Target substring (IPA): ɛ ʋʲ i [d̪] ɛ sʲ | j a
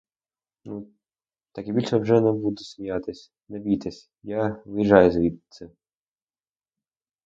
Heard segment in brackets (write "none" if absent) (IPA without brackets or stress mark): t̪